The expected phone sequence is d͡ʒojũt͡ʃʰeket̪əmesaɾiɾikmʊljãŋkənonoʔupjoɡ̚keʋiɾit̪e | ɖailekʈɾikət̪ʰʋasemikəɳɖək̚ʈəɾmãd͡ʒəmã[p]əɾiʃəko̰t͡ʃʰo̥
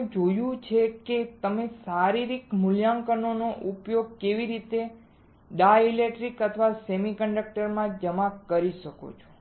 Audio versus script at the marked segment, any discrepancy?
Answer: yes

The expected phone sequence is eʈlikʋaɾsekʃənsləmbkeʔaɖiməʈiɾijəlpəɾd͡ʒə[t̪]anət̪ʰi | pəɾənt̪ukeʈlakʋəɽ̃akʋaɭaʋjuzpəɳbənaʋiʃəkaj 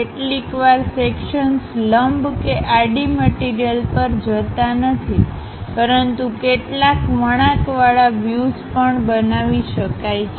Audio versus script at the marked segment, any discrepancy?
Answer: no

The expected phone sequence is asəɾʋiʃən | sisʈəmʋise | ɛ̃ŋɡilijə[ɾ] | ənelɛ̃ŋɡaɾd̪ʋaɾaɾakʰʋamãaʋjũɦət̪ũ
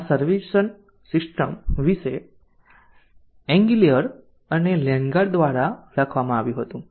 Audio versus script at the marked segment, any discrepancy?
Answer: no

